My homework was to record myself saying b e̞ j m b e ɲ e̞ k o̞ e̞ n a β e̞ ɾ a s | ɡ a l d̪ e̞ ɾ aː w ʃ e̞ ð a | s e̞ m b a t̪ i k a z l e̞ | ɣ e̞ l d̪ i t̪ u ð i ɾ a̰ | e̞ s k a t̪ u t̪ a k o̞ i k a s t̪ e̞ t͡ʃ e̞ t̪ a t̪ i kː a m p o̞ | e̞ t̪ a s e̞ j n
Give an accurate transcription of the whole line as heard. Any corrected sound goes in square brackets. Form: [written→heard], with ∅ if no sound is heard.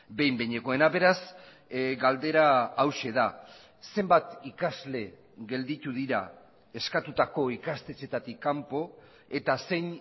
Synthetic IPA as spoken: b e̞ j m b e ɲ e̞ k o̞ e̞ n a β e̞ ɾ a s | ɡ a l d̪ e̞ ɾ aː w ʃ e̞ ð a | s e̞ m b a t̪ i k a z l e̞ | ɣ e̞ l d̪ i t̪ u ð i ɾ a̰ | e̞ s k a t̪ u t̪ a k o̞ i k a s t̪ e̞ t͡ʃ e̞ t̪ a t̪ i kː a m p o̞ | e̞ t̪ a s e̞ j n